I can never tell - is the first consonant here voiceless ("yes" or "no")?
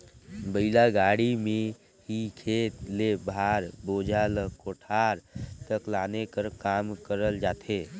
no